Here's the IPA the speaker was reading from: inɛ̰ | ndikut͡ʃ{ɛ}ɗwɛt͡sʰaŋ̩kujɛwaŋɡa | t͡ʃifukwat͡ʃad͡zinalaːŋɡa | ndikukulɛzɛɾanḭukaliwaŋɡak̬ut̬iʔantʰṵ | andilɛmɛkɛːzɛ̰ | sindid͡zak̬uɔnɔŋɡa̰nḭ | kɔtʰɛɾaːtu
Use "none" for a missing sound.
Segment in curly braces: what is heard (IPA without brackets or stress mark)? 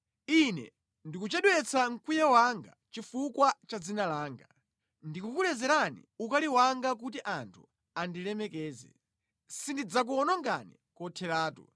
ɛ